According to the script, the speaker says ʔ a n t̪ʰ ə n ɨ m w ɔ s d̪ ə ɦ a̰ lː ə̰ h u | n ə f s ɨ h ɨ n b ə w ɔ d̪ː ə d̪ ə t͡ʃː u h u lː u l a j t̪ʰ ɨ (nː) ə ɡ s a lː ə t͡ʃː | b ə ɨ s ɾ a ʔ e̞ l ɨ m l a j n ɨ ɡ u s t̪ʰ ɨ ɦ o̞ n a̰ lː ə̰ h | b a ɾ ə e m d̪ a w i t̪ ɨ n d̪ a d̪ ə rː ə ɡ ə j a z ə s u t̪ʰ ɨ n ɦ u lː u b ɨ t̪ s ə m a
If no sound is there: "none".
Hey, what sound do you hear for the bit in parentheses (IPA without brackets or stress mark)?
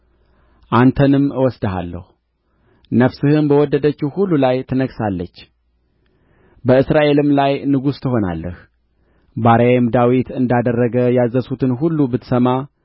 n